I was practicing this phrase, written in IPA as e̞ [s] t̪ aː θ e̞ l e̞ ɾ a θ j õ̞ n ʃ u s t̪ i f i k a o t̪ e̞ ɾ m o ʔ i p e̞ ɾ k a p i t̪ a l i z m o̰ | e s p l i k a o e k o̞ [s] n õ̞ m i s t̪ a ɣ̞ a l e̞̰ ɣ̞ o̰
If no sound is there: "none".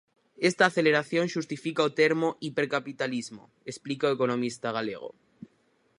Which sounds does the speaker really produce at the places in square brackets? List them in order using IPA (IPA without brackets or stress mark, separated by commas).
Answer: s, none